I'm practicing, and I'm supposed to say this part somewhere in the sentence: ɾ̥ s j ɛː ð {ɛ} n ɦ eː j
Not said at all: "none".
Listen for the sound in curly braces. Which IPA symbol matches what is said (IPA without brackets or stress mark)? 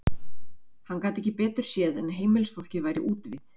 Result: ɛ